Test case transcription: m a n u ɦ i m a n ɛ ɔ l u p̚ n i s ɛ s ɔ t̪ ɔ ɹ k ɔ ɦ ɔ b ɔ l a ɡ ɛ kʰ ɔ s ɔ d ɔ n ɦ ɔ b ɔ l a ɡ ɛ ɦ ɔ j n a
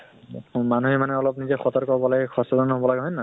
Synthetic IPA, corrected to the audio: m a n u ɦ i m a n ɛ ɔ l ɔ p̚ n i z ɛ x ɔ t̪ ɔ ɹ k ɔ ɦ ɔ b ɔ l a ɡ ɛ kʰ ɔ s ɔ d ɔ n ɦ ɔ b ɔ l a ɡ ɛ ɦ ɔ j n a